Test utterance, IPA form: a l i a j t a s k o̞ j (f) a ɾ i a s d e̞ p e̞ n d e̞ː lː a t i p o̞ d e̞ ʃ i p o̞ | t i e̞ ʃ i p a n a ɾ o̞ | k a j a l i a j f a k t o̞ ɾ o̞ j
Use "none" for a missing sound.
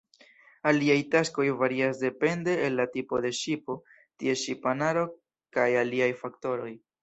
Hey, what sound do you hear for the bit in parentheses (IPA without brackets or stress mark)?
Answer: v